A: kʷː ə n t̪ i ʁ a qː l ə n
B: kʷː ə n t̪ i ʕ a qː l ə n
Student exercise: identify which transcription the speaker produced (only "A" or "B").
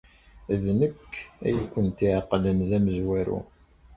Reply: B